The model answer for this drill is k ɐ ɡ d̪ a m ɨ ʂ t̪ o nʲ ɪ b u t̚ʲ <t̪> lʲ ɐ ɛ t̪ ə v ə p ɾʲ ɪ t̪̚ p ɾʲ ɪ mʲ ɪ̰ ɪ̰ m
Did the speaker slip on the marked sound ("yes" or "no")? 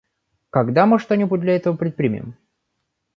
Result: yes